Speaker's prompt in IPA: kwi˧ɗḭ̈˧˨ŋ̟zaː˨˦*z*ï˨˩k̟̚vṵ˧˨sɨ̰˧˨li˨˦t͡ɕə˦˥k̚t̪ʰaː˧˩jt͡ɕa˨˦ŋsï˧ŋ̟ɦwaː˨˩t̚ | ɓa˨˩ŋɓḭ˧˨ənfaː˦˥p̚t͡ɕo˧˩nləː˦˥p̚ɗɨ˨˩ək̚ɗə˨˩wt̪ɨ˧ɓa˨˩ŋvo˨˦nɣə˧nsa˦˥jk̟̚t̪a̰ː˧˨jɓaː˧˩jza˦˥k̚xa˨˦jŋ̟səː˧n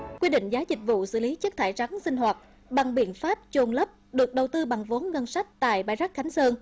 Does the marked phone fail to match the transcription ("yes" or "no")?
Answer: no